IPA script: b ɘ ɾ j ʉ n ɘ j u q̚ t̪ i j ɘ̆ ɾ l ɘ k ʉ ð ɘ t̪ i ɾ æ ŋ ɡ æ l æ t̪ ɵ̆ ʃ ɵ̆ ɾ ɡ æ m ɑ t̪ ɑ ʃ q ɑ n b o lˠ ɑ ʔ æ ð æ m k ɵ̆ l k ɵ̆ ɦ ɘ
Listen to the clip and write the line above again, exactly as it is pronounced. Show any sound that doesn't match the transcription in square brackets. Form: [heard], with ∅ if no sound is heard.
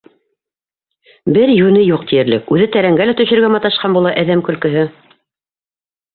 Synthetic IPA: b ɘ ɾ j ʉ n ɘ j u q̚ t̪ i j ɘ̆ ɾ l ɘ k ʉ ð ɘ t̪ [æ] ɾ æ ŋ ɡ æ l æ t̪ ɵ̆ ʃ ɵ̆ ɾ ɡ æ m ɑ t̪ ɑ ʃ q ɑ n b [u] lˠ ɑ ʔ æ ð æ m k ɵ̆ l k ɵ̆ ɦ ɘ